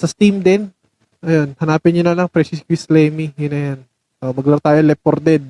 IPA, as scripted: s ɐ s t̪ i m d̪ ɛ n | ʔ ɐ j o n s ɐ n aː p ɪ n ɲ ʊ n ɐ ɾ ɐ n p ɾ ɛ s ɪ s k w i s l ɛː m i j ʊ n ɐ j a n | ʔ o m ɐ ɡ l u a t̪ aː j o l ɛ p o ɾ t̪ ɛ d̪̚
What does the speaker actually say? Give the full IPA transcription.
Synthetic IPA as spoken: s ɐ s t̪ i m d̪ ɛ n | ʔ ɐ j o n h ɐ n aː p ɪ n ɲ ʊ n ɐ l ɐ ŋ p ɾ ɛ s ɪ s k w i s l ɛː m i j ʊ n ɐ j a n | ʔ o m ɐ ɡ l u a t̪ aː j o l ɛ p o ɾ d̪ ɛ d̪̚